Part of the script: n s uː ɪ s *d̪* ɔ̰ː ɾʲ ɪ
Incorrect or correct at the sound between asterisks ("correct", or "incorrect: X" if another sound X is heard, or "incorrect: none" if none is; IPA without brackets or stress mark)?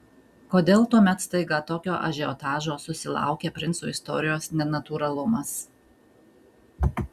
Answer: incorrect: t̪